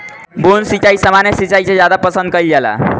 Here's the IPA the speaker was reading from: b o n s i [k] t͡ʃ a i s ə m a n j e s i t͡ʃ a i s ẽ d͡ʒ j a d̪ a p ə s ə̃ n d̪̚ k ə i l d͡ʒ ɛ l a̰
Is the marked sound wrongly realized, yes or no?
yes